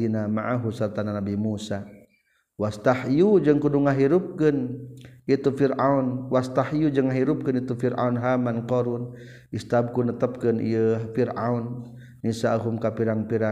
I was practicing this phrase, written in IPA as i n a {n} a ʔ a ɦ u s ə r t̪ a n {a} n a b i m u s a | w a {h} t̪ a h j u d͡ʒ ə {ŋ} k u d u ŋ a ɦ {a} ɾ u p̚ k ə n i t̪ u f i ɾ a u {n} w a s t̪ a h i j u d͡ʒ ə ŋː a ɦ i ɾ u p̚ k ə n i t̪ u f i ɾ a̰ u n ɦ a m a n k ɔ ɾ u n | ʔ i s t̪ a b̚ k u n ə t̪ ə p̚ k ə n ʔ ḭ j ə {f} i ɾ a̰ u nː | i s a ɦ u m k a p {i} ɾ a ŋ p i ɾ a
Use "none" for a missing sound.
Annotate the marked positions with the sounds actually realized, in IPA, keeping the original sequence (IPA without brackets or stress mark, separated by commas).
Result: m, a, s, ŋ, i, n, f, i